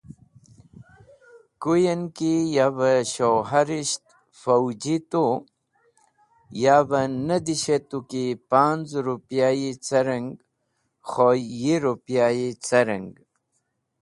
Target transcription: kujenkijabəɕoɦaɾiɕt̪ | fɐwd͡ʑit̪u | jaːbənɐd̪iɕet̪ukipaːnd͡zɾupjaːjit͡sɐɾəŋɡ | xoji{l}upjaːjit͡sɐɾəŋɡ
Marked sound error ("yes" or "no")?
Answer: yes